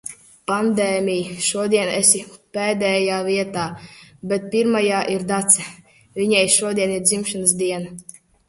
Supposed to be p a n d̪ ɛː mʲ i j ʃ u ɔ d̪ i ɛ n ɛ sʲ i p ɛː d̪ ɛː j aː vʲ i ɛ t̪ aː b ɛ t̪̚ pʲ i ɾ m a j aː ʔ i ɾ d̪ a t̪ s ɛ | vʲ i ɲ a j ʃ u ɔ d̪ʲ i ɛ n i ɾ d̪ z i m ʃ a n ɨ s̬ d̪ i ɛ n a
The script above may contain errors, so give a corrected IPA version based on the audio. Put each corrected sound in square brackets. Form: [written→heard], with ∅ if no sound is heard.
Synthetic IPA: p a n d̪ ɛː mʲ i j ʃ u ɔ d̪ i ɛ n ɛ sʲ i p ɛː d̪ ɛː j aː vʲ i ɛ t̪ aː b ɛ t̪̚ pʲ i ɾ m a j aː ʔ i ɾ d̪ a t̪ s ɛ | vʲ i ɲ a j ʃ u ɔ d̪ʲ i ɛ n i ɾ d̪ z i m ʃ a n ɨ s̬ d̪ i ɛ n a